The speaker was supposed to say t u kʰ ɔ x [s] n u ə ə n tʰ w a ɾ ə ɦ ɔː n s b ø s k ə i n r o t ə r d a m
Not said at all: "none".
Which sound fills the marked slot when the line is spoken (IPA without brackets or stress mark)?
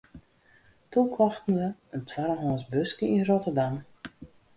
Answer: t